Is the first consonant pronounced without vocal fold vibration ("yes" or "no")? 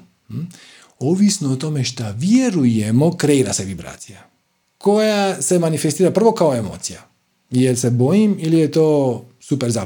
no